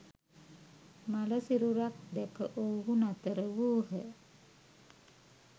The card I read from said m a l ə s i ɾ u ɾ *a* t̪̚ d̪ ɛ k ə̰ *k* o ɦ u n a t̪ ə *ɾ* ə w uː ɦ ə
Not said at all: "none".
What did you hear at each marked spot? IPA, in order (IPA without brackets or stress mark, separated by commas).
a, ʔ, ɾ